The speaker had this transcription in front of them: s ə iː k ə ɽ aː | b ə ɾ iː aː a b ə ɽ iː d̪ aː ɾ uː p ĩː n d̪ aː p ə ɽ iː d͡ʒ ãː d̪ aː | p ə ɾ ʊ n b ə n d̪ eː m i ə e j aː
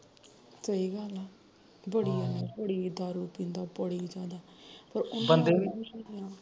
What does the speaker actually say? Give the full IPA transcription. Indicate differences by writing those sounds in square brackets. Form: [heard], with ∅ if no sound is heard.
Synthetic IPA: s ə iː [ɡ] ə [l] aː | b ə [ɽ] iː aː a b ə ɽ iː d̪ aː ɾ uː p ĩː n d̪ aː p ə ɽ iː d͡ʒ [aː] d̪ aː | p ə ɾ ʊ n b ə n d̪ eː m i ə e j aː